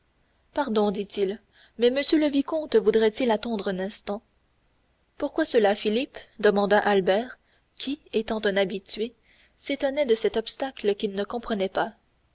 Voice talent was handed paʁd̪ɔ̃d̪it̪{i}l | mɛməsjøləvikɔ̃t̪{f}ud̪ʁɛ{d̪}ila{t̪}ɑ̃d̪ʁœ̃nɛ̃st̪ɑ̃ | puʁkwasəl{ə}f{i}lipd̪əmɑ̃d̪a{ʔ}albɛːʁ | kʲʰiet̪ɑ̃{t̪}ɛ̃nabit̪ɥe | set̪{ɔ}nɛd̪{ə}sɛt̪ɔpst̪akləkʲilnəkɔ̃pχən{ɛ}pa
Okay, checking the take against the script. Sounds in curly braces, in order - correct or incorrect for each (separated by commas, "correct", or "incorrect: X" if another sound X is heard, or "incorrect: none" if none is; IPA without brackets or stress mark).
correct, incorrect: v, incorrect: t̪, correct, incorrect: a, correct, correct, correct, correct, correct, correct